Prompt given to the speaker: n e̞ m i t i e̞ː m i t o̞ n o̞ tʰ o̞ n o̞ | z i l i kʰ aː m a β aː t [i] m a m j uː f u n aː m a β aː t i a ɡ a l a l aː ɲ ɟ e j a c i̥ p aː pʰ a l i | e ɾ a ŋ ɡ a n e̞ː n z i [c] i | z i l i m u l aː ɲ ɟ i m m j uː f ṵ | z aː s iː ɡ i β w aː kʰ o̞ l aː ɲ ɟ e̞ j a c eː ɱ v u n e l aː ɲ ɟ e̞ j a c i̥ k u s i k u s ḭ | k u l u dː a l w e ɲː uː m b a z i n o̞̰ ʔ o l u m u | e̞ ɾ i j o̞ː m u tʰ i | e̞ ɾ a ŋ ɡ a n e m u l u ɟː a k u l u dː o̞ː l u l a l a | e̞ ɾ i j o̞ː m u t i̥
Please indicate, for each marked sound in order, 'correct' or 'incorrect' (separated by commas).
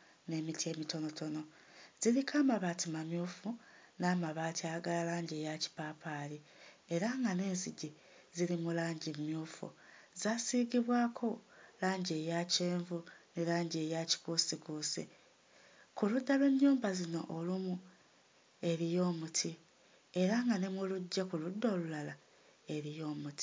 correct, incorrect